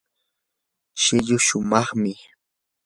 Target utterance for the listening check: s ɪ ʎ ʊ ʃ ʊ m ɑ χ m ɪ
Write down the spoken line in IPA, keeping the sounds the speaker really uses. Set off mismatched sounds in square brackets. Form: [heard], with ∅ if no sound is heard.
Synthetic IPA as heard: [ʃ] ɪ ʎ ʊ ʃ ʊ m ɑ χ m ɪ